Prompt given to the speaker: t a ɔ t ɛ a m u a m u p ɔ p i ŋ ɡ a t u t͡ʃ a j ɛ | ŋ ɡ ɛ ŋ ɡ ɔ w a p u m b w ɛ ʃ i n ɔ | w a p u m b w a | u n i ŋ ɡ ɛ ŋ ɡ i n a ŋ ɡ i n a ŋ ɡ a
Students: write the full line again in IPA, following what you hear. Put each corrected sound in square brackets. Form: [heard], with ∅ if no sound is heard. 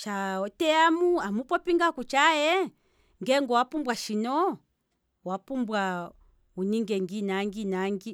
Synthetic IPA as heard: [t͡ʃ] a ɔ t ɛ a m u a m u p ɔ p i ŋ ɡ a [k] u t͡ʃ a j ɛ | ŋ ɡ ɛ ŋ ɡ ɔ w a p u m b w [a] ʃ i n ɔ | w a p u m b w a | u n i ŋ ɡ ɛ ŋ ɡ i n a ŋ ɡ i n a ŋ ɡ [i]

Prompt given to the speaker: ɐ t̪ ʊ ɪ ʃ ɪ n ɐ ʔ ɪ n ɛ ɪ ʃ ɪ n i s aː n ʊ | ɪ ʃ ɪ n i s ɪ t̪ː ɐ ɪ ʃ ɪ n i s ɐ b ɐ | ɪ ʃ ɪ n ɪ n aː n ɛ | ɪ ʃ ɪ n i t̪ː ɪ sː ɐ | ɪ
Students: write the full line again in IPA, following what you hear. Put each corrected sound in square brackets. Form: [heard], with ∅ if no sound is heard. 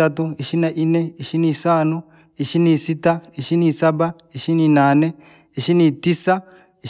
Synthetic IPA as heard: ɐ t̪ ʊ ɪ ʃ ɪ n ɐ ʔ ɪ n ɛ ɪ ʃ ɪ n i s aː n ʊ | ɪ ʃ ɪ n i s ɪ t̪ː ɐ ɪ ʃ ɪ n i s ɐ b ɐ | ɪ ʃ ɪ n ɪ n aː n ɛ | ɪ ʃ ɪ n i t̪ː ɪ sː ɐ | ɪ

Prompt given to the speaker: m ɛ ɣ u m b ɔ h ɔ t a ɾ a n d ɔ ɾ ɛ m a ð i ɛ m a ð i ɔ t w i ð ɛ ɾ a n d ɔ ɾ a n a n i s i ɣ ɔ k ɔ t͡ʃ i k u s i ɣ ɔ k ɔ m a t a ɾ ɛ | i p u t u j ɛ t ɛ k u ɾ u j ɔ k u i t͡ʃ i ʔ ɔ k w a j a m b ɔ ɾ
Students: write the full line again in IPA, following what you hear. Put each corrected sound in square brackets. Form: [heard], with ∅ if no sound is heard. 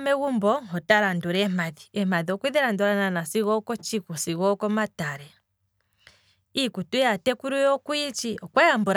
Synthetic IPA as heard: m ɛ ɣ u m b ɔ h ɔ t a ɾ a n d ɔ ɾ ɛ m a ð i ɛ m a ð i ɔ [k] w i ð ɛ ɾ a n d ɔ ɾ a n a n [a] s i ɣ ɔ k ɔ t͡ʃ i k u s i ɣ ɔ k ɔ m a t a ɾ ɛ | i [k] u t u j [a] t ɛ k u ɾ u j ɔ k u i t͡ʃ i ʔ ɔ k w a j a m b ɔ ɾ

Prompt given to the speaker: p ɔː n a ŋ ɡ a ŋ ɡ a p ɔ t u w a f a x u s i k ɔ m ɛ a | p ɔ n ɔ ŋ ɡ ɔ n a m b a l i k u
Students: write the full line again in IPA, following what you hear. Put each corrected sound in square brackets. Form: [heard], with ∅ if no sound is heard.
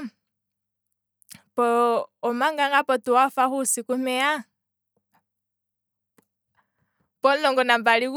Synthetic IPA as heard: p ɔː [m] a ŋ ɡ a ŋ ɡ a p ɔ t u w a f a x u s i k [u] m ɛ a | p ɔ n ɔ ŋ ɡ ɔ n a m b a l i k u

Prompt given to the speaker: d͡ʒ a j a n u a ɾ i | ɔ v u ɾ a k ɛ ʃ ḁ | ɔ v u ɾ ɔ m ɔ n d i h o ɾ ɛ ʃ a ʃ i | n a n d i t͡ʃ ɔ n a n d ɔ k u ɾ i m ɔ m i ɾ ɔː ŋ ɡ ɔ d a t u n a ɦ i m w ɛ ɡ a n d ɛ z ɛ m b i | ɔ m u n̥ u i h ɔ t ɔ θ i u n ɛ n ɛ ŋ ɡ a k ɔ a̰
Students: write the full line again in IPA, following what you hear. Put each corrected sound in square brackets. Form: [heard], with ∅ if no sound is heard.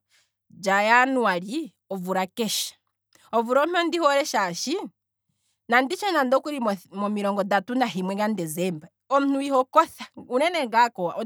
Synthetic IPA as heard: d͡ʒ a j a n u a ɾ i | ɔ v u ɾ a k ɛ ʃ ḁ | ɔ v u ɾ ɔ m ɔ n d i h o ɾ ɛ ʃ a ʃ i | n a n d i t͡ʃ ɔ n a n d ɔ k u ɾ i m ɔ m i ɾ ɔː ŋ ɡ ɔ d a t u n a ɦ i m w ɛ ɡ a n d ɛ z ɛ m b [a] | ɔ m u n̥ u i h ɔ [k] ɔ θ [a] u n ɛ n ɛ ŋ ɡ a k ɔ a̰

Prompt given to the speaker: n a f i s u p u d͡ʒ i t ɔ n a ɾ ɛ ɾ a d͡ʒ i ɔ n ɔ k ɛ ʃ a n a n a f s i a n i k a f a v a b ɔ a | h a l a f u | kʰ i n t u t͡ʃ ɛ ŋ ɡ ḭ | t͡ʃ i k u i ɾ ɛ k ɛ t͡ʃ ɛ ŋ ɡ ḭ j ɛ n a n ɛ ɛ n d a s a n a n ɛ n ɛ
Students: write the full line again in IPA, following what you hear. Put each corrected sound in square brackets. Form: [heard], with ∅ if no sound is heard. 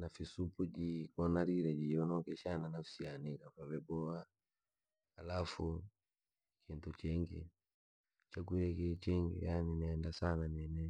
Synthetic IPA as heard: n a f i s u p u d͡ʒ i [k] ɔ n a ɾ [i] ɾ [ɛ] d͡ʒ i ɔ n ɔ k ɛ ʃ a n a n a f s i a n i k a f a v [ɛ] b ɔ a | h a l a f u | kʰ i n t u t͡ʃ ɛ ŋ ɡ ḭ | t͡ʃ [a] k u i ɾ ɛ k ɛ t͡ʃ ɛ ŋ ɡ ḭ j [a] n [i] n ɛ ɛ n d a s a n a n ɛ n ɛ

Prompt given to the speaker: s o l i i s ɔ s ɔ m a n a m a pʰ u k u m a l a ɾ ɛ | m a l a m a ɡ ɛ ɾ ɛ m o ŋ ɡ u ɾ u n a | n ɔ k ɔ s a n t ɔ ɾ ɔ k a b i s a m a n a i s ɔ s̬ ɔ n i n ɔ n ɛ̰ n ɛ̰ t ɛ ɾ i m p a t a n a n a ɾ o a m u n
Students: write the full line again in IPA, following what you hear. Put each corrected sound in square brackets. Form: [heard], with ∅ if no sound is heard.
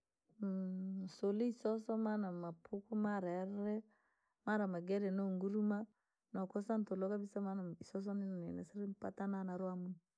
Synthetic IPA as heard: s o l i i s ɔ s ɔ m a n a m a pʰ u k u m a [ɾ] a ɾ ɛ | m a [ɾ] a m a ɡ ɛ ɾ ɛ [n] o ŋ ɡ u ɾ u [m] a | n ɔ k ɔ s a n t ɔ [l] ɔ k a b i s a m a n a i s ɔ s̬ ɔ n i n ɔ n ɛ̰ n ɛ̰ [s] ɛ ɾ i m p a t a n a n a ɾ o a m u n

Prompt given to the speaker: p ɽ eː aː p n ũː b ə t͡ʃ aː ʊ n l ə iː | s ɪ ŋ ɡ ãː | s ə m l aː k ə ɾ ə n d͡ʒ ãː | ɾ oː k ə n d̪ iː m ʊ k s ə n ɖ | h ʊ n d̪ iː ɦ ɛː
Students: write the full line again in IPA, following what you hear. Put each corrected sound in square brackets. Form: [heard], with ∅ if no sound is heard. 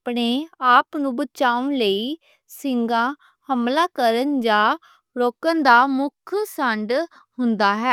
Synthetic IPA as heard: p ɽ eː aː p n ũː b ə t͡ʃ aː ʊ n l ə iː | s ɪ ŋ ɡ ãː | [h] ə m l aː k ə ɾ ə n d͡ʒ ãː | ɾ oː k ə n d̪ [aː] m ʊ [kʰ] s ə [ɳ] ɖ | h ʊ n d̪ [aː] ɦ ɛː

